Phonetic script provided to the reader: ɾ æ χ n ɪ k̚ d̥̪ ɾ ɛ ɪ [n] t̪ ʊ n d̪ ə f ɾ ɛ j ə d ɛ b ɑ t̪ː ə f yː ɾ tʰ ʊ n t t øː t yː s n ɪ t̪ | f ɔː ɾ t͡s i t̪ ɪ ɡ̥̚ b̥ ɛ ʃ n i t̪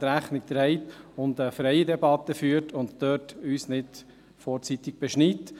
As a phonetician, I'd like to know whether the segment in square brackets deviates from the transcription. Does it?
yes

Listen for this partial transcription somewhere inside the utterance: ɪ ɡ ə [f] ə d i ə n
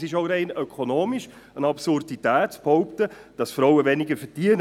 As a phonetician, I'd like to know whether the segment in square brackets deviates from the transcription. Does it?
no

